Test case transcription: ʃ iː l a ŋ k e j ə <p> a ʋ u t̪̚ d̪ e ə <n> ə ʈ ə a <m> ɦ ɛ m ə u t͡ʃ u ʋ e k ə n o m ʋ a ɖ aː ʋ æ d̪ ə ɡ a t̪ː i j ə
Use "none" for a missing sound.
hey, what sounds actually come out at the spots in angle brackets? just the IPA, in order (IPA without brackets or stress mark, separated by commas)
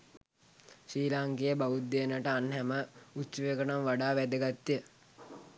b, n, n